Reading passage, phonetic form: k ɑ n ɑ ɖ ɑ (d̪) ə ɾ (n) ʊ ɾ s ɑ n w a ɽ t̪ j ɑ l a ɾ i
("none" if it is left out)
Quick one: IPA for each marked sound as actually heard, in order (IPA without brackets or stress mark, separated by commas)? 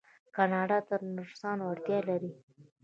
t̪, n